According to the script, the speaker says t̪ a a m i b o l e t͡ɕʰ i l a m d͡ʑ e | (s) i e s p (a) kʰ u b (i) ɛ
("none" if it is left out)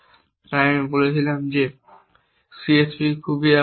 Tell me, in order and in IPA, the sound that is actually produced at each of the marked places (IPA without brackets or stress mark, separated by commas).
s, i, i